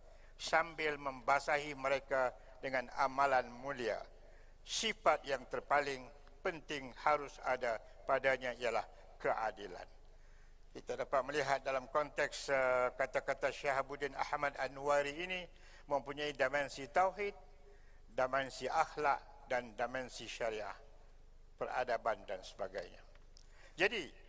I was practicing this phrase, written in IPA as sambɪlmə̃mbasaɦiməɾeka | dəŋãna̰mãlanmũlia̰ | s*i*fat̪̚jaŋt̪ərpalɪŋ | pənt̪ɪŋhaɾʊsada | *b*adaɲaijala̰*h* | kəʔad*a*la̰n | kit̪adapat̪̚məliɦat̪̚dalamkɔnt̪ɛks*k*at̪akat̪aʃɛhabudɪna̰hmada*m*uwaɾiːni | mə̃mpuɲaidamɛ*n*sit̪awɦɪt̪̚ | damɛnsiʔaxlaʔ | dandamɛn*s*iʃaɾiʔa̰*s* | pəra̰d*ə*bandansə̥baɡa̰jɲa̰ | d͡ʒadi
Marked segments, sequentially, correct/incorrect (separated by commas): correct, incorrect, correct, incorrect, correct, incorrect, correct, correct, incorrect, incorrect